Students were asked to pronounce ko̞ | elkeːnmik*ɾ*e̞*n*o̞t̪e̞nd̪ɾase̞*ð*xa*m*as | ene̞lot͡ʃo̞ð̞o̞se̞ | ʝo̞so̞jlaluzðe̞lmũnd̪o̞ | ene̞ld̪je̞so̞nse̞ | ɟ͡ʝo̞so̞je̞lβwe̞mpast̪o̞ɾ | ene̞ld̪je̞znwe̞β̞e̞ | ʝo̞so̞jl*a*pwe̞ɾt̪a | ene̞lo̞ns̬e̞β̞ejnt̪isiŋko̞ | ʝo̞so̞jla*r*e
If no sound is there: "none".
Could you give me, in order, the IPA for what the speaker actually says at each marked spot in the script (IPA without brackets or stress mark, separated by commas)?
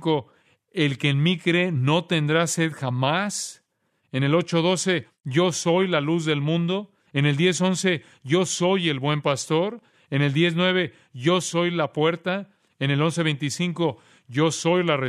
ɾ, n, ð, m, a, r